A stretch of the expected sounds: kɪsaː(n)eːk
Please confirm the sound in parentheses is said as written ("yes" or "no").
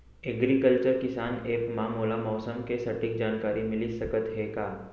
yes